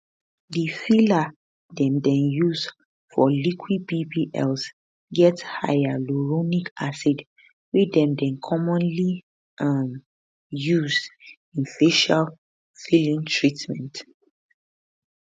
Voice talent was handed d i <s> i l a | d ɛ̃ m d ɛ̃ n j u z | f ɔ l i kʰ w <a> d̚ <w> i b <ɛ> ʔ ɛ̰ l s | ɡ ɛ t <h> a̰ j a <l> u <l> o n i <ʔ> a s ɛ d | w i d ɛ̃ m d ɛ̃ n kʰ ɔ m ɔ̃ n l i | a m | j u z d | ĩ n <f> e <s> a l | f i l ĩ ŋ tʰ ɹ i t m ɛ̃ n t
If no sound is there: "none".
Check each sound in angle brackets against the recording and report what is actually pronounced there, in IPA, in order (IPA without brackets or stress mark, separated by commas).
f, i, b, i, h, l, ɹ, k, f, ʃ